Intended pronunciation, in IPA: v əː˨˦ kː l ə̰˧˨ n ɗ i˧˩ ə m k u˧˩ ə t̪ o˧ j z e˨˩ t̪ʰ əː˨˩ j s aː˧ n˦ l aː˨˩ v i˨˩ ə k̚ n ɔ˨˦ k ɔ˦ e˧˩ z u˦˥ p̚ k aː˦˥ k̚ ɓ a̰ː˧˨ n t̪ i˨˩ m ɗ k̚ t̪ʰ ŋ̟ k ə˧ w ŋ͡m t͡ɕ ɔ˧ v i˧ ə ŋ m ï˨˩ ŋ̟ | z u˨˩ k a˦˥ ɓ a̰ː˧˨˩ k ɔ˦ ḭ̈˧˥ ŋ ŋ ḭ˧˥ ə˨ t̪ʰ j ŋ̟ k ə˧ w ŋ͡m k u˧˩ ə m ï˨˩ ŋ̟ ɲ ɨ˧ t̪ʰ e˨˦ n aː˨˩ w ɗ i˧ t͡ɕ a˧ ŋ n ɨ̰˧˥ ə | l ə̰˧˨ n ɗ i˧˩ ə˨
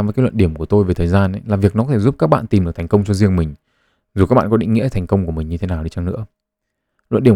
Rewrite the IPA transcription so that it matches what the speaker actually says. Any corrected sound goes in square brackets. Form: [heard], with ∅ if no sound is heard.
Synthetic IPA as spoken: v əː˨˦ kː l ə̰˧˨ n ɗ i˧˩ ə m k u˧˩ ə t̪ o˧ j [v] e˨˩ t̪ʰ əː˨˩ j [z] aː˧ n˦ l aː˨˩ v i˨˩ ə k̚ n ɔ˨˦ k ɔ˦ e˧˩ z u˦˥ p̚ k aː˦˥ k̚ ɓ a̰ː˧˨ n t̪ i˨˩ m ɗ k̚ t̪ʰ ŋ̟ k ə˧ w ŋ͡m t͡ɕ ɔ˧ [z] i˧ ə ŋ m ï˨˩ ŋ̟ | z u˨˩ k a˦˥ ɓ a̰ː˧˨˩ k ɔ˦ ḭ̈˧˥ ŋ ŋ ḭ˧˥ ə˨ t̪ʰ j ŋ̟ k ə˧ w ŋ͡m k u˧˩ ə m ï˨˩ ŋ̟ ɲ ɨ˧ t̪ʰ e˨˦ n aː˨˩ w ɗ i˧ t͡ɕ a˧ ŋ n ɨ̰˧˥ ə | l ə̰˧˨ n ɗ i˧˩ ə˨